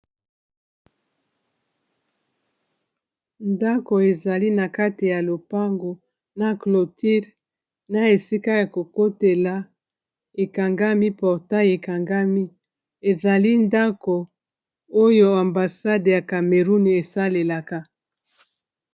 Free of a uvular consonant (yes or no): no